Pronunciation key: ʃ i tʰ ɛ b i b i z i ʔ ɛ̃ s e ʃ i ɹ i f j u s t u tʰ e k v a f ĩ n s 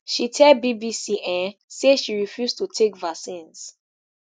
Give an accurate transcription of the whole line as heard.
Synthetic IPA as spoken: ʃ i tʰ ɛ b i b i s i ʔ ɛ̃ s e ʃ i ɹ i f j u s t u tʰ e k v a s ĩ n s